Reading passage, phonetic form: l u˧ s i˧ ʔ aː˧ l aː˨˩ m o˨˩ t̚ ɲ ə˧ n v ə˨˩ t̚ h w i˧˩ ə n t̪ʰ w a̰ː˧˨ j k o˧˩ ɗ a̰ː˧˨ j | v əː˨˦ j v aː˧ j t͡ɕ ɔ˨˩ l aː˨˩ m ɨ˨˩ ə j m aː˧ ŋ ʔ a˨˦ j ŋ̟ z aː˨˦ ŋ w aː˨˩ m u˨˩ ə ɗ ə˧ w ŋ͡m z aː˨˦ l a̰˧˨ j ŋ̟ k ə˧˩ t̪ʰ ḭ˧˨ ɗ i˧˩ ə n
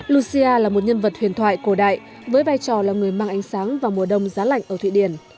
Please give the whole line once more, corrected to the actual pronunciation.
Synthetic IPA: l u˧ s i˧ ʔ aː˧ l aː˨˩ m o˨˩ t̚ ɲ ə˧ n v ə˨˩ t̚ h w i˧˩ ə n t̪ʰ w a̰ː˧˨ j k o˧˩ ɗ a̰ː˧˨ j | v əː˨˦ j v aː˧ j t͡ɕ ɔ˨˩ l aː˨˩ ŋ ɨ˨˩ ə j m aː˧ ŋ ʔ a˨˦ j ŋ̟ s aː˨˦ ŋ v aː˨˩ m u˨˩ ə ɗ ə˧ w ŋ͡m z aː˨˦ l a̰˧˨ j ŋ̟ ʔ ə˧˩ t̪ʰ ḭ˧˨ ɗ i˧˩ ə n